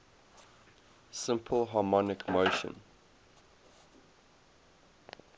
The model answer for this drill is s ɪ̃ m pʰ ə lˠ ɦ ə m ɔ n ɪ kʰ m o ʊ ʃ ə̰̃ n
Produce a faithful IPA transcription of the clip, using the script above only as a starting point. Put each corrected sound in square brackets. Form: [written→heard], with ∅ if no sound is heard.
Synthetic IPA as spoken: s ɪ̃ m pʰ ə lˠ ɦ [ə→ɑ] m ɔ n ɪ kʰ m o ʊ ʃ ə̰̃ n